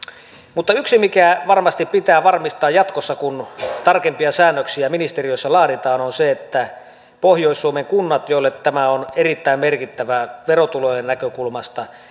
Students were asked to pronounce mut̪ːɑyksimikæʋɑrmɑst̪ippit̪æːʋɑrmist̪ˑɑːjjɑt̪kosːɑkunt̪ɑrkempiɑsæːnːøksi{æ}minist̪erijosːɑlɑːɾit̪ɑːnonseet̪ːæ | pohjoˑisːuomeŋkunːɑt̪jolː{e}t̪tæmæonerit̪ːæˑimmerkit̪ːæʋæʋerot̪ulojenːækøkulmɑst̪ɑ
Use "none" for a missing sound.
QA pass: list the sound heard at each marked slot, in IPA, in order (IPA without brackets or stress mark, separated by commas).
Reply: æ, e